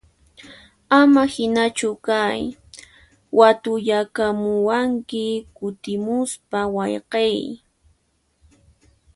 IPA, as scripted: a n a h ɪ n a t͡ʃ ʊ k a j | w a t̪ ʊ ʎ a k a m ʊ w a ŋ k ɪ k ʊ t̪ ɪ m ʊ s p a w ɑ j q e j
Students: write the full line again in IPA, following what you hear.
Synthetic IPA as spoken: a m a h ɪ n a t͡ʃ ʊ k a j | w a t̪ ʊ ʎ a k a m ʊ w a ŋ k ɪ k ʊ t̪ ɪ m ʊ s p a w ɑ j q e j